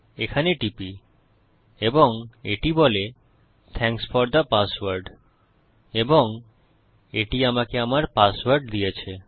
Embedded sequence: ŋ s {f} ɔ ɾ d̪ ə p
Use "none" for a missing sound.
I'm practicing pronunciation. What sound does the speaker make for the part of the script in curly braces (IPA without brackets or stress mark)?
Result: f